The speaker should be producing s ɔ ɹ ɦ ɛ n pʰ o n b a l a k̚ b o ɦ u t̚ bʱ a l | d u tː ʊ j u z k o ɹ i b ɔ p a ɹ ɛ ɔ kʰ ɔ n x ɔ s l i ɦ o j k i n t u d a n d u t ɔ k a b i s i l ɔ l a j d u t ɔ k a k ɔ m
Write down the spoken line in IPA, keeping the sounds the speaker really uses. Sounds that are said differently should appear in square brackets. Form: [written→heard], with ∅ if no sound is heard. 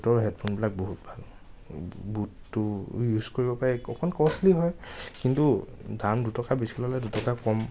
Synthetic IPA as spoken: [s→t] ɔ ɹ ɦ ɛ [n→d] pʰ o n b [a→i] l a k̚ b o ɦ u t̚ bʱ a l | [d→b] u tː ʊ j u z k o ɹ i b ɔ p a ɹ ɛ ɔ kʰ ɔ n [x→k] ɔ s l i ɦ [o→ɔ] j k i n t u d a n d u t ɔ k a b i s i l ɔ l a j d u t ɔ k a k ɔ m